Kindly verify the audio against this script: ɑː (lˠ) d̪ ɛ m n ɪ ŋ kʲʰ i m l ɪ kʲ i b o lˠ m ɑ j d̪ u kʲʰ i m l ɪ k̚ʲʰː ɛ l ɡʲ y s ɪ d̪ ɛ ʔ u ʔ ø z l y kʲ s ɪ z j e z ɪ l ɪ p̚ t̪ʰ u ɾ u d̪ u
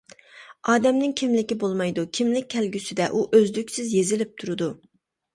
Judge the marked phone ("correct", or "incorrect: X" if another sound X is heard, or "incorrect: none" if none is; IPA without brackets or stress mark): incorrect: none